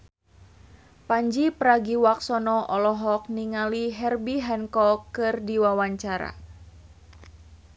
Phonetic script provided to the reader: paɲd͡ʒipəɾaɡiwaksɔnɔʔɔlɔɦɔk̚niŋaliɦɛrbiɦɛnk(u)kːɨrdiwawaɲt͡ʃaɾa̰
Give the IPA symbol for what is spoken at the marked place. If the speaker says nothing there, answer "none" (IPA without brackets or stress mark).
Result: ɔ